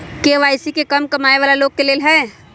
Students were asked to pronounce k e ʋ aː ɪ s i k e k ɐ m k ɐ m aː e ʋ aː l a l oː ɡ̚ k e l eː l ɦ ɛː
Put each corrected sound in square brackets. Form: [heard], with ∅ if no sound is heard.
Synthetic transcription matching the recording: k e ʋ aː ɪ s i k e k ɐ m k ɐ m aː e ʋ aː l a l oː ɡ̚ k e l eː l ɦ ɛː